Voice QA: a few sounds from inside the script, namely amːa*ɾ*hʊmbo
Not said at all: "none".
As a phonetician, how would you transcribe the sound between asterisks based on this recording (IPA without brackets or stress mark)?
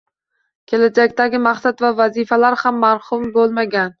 ɾ